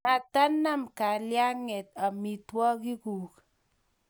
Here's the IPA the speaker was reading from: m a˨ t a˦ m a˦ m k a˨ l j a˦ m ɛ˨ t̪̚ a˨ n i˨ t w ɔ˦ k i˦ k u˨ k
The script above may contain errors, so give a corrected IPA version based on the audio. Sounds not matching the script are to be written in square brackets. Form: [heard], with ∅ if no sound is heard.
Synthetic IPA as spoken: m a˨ t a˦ [n] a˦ m k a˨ l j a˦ [ŋ] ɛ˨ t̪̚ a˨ [m] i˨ t w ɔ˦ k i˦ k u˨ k